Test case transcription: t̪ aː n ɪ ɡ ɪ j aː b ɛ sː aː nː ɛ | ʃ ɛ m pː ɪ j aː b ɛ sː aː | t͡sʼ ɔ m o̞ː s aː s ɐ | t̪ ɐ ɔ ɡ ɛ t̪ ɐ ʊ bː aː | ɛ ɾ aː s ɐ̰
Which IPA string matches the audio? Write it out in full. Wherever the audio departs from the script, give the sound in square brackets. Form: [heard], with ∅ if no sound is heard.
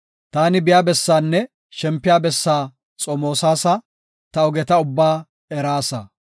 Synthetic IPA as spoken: t̪ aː n ɪ [b] ɪ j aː b ɛ sː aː nː ɛ | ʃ ɛ m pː ɪ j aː b ɛ sː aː | t͡sʼ ɔ m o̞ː s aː s ɐ | t̪ ɐ ɔ ɡ ɛ t̪ ɐ ʊ bː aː | ɛ ɾ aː s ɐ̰